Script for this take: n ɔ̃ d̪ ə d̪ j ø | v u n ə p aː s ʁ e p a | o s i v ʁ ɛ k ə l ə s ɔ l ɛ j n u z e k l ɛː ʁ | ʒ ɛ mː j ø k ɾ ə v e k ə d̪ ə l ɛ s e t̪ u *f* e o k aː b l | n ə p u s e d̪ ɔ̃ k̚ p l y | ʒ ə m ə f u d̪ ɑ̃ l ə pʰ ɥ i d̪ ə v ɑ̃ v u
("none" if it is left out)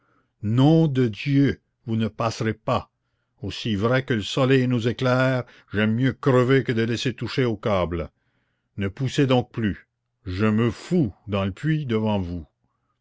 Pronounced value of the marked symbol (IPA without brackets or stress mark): ʃ